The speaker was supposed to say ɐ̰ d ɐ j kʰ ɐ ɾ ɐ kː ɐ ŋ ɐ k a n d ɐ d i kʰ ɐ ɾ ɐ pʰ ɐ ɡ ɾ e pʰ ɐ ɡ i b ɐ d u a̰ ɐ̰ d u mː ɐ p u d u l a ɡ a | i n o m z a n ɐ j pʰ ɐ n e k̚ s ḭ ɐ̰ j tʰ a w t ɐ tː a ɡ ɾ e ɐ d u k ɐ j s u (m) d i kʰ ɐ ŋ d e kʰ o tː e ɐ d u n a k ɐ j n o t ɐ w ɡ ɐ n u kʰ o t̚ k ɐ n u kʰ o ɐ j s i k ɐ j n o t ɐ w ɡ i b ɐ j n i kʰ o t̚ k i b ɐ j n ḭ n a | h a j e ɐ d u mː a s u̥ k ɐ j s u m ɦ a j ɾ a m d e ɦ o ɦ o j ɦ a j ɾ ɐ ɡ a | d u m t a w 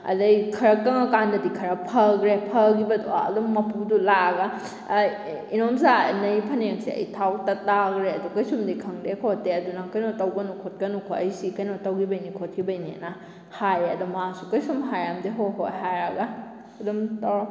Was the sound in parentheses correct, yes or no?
yes